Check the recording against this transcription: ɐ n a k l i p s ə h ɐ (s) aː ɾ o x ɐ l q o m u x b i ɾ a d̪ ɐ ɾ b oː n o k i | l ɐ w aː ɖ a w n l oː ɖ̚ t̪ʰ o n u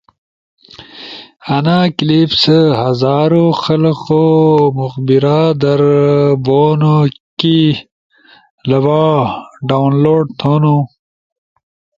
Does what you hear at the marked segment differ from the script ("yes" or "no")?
yes